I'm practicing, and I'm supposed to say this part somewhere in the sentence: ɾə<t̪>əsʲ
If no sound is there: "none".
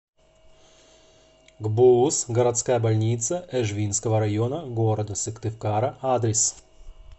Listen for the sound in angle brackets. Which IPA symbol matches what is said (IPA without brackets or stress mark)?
d̪